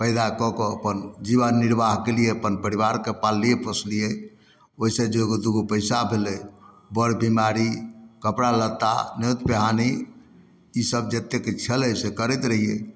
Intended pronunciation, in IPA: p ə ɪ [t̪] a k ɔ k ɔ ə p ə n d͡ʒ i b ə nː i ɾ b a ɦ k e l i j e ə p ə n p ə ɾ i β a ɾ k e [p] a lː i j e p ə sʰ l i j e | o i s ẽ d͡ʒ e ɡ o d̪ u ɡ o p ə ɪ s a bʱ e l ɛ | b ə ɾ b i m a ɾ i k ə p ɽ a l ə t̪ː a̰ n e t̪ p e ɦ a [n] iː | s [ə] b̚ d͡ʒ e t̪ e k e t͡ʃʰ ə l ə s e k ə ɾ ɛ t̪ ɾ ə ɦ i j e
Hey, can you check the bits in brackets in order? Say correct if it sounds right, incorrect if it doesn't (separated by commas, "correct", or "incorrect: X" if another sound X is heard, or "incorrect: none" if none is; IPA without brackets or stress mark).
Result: incorrect: d̪, correct, correct, correct